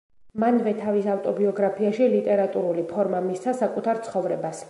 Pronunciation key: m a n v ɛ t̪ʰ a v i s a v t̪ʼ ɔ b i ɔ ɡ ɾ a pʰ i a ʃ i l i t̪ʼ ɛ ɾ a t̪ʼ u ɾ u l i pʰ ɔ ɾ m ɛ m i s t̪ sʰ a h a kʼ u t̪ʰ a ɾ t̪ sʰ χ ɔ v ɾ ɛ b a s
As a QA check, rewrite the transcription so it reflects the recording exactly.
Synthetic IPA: m a n v ɛ t̪ʰ a v i s a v t̪ʼ ɔ b i ɔ ɡ ɾ a pʰ i a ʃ i l i t̪ʼ ɛ ɾ a t̪ʼ u ɾ u l i pʰ ɔ ɾ m a m i s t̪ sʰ a s a kʼ u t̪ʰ a ɾ t̪ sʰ χ ɔ v ɾ ɛ b a s